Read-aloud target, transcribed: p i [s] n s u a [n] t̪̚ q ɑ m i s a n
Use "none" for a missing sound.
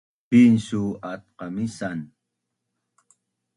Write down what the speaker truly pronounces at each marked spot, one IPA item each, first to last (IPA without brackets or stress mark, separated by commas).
none, none